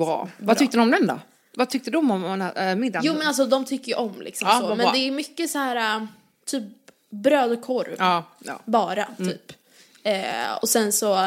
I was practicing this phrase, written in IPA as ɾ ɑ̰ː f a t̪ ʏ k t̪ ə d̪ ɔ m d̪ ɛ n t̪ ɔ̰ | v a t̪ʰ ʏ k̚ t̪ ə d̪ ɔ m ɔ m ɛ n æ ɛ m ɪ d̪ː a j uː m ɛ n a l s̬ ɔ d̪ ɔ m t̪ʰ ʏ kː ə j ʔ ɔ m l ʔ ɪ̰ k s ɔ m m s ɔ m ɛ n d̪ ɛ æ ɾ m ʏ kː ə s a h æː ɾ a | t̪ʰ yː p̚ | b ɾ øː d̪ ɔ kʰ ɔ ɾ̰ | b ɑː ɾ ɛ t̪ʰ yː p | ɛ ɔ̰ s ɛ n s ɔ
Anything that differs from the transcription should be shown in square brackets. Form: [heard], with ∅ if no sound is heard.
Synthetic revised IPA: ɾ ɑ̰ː [v] a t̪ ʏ k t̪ ə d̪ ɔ m d̪ ɛ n [d̪] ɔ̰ | v a t̪ʰ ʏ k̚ t̪ ə d̪ ɔ m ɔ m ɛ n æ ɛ m ɪ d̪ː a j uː m ɛ n a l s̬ ɔ d̪ ɔ m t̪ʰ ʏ kː ə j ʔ ɔ m l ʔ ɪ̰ k s ɔ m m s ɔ m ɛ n d̪ ɛ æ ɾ m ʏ kː ə s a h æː ɾ a | t̪ʰ yː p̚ | b ɾ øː d̪ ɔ kʰ ɔ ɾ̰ | b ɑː ɾ [a] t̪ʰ yː p | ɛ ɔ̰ s ɛ n s ɔ